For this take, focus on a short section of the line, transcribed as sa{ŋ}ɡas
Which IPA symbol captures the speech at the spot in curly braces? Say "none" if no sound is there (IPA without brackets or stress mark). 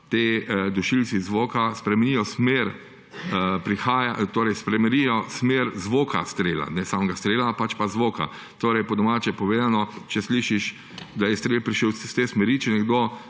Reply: m